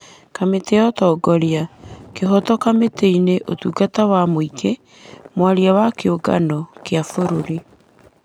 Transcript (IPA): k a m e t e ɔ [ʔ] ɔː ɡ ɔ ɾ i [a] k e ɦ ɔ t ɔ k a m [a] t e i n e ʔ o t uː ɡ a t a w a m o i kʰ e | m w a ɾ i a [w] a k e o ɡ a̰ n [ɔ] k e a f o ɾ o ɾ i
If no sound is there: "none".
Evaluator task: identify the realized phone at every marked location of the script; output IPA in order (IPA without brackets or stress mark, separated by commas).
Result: t, a, e, w, ɔ